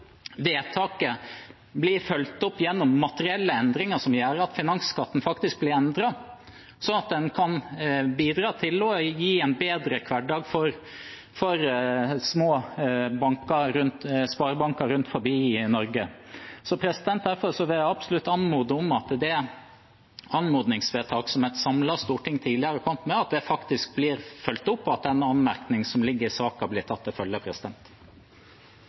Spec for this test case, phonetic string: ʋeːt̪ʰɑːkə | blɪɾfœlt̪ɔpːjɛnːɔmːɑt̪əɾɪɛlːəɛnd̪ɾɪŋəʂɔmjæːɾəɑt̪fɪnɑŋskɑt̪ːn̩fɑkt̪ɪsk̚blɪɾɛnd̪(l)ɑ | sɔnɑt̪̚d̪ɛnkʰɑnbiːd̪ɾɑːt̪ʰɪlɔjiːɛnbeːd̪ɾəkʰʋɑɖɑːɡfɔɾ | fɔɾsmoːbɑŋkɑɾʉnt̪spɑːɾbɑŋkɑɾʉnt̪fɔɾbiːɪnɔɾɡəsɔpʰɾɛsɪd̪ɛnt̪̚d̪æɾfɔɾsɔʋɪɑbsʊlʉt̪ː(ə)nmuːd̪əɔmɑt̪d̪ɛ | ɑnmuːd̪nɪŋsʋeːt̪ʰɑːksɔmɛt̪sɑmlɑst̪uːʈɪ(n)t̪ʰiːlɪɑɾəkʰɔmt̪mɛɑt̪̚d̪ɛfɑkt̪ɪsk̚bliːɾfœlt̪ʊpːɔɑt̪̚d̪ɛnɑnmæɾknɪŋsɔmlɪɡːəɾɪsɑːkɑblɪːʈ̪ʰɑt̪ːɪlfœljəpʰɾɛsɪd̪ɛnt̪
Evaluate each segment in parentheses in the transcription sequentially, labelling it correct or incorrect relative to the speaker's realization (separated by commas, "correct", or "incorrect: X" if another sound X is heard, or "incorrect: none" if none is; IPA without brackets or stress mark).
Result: incorrect: ɾ, incorrect: ɑ, incorrect: ŋ